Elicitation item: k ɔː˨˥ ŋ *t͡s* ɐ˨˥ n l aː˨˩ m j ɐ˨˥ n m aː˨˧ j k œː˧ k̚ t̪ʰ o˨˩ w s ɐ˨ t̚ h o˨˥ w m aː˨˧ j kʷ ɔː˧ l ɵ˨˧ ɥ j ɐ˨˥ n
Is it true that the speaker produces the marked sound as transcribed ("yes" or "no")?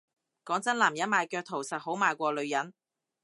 yes